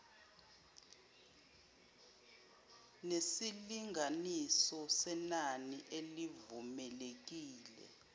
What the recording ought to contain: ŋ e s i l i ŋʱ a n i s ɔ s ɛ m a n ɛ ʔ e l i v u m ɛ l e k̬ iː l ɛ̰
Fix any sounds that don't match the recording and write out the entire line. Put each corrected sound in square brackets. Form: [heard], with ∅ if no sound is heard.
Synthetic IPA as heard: [n] e s i l i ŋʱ a n i s ɔ s ɛ [n] a n [i] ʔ e l i v u m ɛ l e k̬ iː l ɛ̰